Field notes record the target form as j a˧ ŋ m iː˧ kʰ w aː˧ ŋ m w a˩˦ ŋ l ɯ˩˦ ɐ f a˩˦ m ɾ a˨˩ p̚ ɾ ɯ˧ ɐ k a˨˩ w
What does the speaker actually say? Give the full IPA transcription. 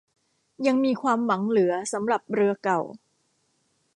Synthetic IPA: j a˧ ŋ m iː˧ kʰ w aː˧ m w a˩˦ ŋ l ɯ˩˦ ɐ s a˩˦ m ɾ a˨˩ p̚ ɾ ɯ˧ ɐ k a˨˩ w